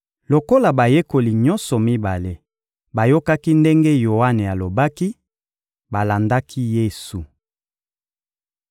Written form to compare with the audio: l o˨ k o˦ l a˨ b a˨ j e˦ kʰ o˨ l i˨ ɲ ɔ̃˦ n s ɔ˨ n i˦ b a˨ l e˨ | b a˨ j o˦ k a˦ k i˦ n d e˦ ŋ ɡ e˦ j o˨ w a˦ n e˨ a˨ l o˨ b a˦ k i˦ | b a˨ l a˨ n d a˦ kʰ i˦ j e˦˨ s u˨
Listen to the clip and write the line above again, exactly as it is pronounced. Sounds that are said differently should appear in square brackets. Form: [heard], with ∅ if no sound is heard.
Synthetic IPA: l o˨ k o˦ l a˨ b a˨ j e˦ [k] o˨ l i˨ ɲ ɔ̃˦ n s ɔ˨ [m] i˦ b a˨ l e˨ | b a˨ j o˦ k a˦ k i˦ n d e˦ ŋ ɡ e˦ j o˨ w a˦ n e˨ a˨ l o˨ b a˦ k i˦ | b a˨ l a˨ n d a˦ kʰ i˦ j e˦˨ s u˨